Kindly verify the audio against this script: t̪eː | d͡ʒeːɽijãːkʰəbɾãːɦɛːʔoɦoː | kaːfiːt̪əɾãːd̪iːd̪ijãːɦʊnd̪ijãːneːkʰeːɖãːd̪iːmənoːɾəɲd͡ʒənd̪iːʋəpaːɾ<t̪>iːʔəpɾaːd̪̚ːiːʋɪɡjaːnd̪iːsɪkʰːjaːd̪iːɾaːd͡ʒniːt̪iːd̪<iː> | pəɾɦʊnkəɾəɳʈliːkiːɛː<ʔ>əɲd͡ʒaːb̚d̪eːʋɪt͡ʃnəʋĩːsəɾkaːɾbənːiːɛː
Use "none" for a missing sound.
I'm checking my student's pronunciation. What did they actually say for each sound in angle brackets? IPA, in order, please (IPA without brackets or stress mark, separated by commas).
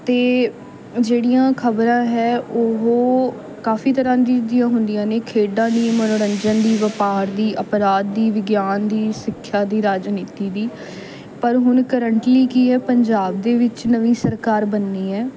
d̪, iː, p